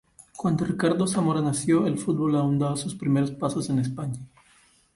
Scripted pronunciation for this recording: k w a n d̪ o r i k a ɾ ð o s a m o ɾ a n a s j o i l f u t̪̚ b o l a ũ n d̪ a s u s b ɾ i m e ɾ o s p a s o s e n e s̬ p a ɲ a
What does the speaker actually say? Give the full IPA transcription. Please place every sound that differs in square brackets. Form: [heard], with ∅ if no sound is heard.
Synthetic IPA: k w a n d̪ o r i k a ɾ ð o s a m o ɾ a n a s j o [e] l f u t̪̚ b o l a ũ n d̪ a s u s [p] ɾ i m e ɾ o s p a s o s e n e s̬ p a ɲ a

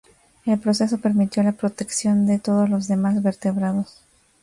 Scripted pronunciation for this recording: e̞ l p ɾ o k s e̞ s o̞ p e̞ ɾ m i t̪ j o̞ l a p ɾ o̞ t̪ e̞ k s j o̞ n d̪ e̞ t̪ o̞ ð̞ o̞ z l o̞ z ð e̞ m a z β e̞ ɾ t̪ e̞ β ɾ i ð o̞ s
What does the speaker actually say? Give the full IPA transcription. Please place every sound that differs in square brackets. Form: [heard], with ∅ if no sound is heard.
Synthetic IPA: e̞ l p ɾ o [∅] s e̞ s o̞ p e̞ ɾ m i t̪ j o̞ l a p ɾ o̞ t̪ e̞ k s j o̞ n d̪ e̞ t̪ o̞ ð̞ o̞ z l o̞ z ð e̞ m a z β e̞ ɾ t̪ e̞ β ɾ [a] ð o̞ s

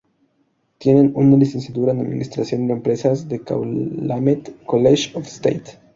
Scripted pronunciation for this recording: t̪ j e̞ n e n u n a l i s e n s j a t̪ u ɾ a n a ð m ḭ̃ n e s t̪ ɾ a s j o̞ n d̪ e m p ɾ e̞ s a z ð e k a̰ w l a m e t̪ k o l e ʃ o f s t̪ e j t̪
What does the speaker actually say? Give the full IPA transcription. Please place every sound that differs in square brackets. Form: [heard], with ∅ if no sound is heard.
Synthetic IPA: t̪ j e̞ n e n u n a l i s e n s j a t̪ u ɾ a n a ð m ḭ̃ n [i] s t̪ ɾ a s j o̞ n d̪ e m p ɾ e̞ s a z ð e k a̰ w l a m e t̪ k o l e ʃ o f s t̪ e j t̪

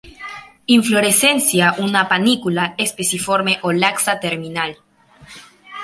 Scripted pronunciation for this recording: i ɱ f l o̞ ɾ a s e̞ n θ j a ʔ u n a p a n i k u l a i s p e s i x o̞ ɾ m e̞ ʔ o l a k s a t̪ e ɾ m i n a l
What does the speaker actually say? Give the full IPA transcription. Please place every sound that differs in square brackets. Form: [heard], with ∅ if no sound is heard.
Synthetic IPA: i ɱ f l o̞ ɾ [e] s e̞ n [s] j a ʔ u n a p a n i k u l a [e] s p e s i [f] o̞ ɾ m e̞ ʔ o l a k s a t̪ e ɾ m i n a l

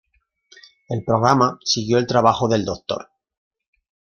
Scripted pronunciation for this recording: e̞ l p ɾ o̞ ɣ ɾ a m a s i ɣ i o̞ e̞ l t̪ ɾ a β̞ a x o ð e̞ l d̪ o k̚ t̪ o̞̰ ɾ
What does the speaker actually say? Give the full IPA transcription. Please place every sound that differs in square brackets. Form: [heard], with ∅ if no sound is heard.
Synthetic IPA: e̞ l p ɾ o̞ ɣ ɾ a m a s i ɣ [j] o̞ e̞ l t̪ ɾ a β̞ a x o ð e̞ l d̪ o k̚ t̪ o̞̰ ɾ

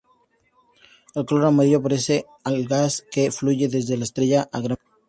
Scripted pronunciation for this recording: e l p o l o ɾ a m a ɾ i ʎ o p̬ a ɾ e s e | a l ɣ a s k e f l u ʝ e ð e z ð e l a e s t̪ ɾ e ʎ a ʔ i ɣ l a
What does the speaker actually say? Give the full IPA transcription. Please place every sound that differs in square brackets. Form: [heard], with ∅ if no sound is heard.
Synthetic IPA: e l [k] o l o ɾ a m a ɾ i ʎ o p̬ a ɾ e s e | a l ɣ a s k e f l u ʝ e ð e z ð e l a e s t̪ ɾ e ʎ a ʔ [a] ɣ [ɾ] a

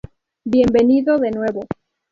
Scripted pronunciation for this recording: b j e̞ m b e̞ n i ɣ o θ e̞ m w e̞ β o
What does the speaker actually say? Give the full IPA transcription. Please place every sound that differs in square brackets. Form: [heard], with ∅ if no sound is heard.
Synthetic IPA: b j e̞ m b e̞ n i [ð] o [ð] e̞ [n] w e̞ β o

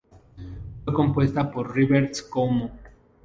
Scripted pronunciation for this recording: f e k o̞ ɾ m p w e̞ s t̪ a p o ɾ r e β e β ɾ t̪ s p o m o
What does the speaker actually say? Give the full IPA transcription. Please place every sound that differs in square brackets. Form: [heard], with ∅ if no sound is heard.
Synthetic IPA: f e k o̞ [∅] m p w e̞ s t̪ a p o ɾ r [i] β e [∅] ɾ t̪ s [k] o m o

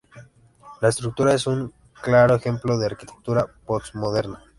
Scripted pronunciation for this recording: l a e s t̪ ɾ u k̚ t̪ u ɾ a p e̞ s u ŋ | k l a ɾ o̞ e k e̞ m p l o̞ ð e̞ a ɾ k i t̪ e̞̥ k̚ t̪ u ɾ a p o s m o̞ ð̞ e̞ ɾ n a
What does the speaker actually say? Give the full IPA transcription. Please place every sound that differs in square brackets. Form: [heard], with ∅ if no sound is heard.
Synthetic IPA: l a e s t̪ ɾ u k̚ t̪ u ɾ a [∅] e̞ s u ŋ | k l a ɾ o̞ e [x] e̞ m p l o̞ ð e̞ a ɾ k i t̪ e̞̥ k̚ t̪ u ɾ a p o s m o̞ ð̞ e̞ ɾ n a

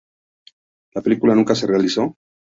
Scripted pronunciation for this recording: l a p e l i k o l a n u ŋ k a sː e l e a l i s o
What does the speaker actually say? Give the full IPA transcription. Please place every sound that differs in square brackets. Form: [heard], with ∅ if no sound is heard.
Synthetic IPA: l a p e l i k [u] l a n u ŋ k a [s] e [r] e a l i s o

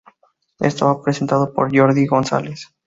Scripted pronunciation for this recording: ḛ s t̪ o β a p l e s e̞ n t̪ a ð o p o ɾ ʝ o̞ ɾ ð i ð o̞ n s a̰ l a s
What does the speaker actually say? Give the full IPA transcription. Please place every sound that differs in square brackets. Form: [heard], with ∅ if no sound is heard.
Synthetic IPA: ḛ s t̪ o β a p [ɾ] e s e̞ n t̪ a ð o p o ɾ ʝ o̞ ɾ ð i [ɣ] o̞ n s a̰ l [e] s

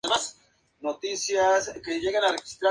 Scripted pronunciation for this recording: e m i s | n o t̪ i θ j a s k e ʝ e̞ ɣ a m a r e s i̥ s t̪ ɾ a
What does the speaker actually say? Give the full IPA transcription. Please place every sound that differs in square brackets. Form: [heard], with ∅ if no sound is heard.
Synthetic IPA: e m [a] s | n o t̪ i [s] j a s k e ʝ e̞ ɣ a [n] a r e [x] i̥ s t̪ ɾ a

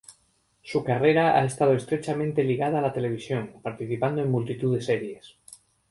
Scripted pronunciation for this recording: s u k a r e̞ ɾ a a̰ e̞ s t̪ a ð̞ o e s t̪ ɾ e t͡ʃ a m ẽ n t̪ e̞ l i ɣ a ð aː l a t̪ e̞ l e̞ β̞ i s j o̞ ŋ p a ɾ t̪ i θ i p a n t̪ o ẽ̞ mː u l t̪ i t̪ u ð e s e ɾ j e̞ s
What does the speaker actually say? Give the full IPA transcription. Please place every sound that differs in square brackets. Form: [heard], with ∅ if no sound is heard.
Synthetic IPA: s u k a r e̞ ɾ a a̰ e̞ s t̪ a ð̞ o e s t̪ ɾ e t͡ʃ a m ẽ n t̪ e̞ l i ɣ a ð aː l a t̪ e̞ l e̞ β̞ i s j o̞ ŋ p a ɾ t̪ i θ i p a n [d̪] o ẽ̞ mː u l t̪ i t̪ u ð e s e ɾ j e̞ s

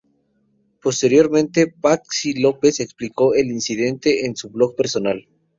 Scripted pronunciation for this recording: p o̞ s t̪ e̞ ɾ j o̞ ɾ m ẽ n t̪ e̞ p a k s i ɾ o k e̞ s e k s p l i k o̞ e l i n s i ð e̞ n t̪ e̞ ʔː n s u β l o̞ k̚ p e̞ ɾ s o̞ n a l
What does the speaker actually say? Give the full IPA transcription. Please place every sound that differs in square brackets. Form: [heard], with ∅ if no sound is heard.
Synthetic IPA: p o̞ s t̪ e̞ ɾ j o̞ ɾ m ẽ n t̪ e̞ p a k s i [l] o [p] e̞ s e k s p l i k o̞ e l i n s i ð e̞ n t̪ e̞ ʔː n s u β l o̞ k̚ p e̞ ɾ s o̞ n a l

